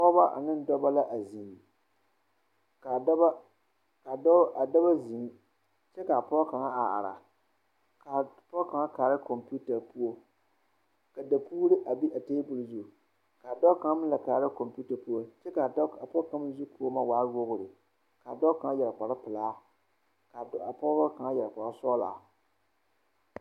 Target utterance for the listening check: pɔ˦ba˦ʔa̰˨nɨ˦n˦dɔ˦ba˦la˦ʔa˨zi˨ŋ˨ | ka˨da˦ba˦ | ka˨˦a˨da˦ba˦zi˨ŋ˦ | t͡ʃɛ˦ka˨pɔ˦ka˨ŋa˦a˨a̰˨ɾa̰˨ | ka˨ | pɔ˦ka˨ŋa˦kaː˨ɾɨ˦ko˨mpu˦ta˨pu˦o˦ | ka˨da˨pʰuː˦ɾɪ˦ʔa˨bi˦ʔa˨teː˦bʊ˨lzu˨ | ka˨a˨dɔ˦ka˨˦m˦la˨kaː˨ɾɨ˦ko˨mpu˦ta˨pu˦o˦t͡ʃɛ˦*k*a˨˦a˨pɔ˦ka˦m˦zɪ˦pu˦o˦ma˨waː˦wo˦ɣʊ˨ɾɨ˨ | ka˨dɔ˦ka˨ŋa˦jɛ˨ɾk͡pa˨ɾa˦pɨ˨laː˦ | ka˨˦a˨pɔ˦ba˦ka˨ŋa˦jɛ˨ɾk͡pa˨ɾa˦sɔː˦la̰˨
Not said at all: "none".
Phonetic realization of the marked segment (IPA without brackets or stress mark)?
k